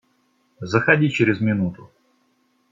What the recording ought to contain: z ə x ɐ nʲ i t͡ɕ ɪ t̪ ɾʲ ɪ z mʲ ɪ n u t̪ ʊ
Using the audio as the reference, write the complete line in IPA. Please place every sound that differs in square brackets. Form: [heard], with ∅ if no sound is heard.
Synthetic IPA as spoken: z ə x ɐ [dʲ] i t͡ɕ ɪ [∅] ɾʲ ɪ z mʲ ɪ n u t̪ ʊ